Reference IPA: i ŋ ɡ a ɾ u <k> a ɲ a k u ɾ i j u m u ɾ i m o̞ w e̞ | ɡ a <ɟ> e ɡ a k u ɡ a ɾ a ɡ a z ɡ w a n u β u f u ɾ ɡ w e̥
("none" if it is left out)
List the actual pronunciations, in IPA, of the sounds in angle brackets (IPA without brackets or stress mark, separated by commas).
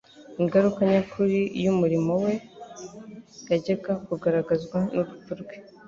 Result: k, ɟ